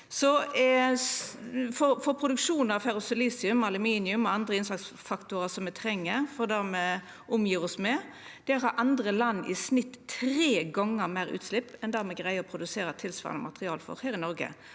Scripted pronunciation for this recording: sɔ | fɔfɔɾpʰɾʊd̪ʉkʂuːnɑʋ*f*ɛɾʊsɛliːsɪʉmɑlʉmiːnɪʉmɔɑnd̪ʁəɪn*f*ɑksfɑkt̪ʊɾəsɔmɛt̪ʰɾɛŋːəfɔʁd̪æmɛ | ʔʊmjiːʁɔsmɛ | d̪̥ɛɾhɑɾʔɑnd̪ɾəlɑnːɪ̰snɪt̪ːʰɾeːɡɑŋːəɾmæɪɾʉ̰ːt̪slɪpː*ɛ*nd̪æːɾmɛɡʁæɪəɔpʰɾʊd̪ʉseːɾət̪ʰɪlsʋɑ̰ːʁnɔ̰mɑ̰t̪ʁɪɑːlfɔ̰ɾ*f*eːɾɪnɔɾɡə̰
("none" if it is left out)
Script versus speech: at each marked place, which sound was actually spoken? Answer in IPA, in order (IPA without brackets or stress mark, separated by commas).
f, s, ɛ, h